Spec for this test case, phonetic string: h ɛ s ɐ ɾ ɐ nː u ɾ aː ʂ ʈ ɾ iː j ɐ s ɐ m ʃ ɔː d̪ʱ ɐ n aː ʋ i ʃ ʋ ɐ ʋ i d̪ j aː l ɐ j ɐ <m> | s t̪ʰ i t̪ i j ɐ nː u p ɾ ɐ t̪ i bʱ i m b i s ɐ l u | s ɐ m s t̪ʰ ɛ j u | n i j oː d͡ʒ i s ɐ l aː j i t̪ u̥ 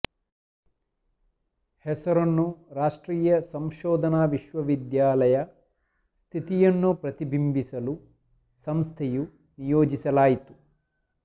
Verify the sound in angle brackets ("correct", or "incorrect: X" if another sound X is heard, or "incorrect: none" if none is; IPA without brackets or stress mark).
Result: incorrect: none